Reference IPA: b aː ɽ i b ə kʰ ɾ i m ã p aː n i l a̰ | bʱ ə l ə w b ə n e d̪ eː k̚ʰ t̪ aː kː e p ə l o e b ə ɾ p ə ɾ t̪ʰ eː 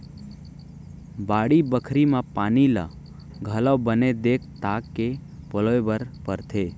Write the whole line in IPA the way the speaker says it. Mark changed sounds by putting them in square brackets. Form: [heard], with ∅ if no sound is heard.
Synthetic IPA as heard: b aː ɽ i b ə kʰ ɾ i m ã p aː n i l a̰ | [ɡʱ] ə l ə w b ə n e d̪ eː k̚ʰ t̪ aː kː e p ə l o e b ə ɾ p ə ɾ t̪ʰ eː